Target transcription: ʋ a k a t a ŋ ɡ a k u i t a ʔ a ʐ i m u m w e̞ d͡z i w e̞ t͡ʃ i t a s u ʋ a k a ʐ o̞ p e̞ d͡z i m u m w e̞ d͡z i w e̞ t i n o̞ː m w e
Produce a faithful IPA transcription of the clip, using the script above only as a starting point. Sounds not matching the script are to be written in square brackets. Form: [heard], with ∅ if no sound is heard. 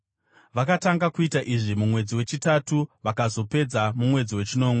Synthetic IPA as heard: ʋ a k a t a ŋ ɡ a k u i t a ʔ [i] ʐ i m u m w e̞ d͡z i w e̞ t͡ʃ i t a [t] u ʋ a k a [z] o̞ p e̞ d͡z [a] m u m w e̞ d͡z i w e̞ [t͡ʃ] i n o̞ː m w e